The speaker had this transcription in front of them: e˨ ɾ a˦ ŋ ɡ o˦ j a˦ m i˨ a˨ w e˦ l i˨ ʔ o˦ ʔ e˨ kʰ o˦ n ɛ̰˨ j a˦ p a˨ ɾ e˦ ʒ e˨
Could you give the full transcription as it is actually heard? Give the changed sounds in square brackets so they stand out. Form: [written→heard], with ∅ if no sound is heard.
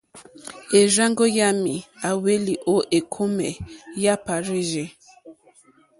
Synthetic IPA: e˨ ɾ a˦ ŋ ɡ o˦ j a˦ m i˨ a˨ w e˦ l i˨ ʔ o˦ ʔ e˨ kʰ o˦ [n→m] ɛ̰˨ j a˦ p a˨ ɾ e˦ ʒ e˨